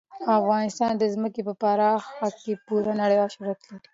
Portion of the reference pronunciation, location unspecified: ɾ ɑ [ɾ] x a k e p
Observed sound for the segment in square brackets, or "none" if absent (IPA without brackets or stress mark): none